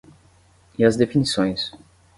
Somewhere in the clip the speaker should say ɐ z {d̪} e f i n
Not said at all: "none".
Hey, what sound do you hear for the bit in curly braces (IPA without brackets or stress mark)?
d̪